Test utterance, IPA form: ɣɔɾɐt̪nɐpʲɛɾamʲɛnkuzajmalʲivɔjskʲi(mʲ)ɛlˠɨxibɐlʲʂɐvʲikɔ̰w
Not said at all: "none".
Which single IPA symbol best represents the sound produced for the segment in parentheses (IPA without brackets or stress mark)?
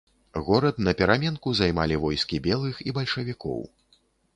bʲ